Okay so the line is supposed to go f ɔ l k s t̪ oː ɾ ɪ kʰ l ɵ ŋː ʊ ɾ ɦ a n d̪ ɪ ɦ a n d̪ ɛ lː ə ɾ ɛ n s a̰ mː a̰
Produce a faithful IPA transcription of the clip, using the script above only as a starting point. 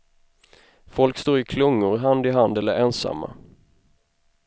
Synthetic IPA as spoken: f ɔ l k s t̪ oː ɾ ɪ kʰ l ɵ ŋː ʊ ɾ ɦ a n d̪ ɪ ɦ a n d̪ ɛ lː ə ɾ ɛ n s a̰ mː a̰